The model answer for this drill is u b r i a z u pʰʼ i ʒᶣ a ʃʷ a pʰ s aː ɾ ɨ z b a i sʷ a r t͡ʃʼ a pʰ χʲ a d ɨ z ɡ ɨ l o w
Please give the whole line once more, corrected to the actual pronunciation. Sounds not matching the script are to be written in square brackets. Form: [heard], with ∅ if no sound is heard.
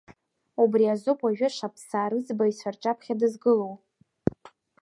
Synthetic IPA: u b r i a z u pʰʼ [a] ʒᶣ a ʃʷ a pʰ s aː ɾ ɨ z b a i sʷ a r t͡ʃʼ a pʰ χʲ a d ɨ z ɡ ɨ l o w